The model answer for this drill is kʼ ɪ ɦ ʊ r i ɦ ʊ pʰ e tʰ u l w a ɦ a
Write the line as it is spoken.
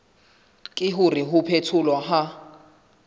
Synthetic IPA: kʼ ɪ ɦ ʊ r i ɦ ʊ pʰ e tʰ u l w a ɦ a